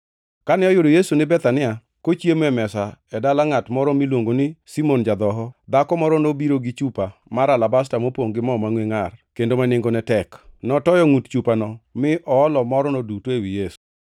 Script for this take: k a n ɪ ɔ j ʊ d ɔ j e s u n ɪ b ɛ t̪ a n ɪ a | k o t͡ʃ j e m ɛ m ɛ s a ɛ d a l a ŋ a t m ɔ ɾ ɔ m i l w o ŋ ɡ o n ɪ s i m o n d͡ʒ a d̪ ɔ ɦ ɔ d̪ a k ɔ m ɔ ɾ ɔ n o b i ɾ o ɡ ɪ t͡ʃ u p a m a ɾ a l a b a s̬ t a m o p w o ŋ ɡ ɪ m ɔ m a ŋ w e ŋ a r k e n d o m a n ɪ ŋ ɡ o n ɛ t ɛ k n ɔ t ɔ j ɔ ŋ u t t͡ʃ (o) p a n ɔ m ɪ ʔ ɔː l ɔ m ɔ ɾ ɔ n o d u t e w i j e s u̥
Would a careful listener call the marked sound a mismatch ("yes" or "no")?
yes